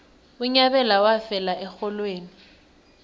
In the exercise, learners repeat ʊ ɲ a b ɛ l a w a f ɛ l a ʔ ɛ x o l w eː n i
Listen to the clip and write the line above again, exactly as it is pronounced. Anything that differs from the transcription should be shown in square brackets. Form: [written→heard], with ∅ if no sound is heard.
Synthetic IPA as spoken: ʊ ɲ a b ɛ l a w a f ɛ l a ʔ ɛ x [o→ɔ] l w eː n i